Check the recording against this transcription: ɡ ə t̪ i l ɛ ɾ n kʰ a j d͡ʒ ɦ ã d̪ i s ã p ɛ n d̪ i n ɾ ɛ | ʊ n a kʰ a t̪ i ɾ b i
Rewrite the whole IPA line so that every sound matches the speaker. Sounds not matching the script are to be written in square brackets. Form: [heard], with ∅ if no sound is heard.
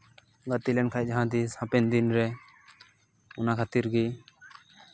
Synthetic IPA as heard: ɡ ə t̪ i l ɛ [∅] n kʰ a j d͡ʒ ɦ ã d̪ i s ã p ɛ n d̪ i n ɾ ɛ | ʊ n a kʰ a t̪ i ɾ [ɡ] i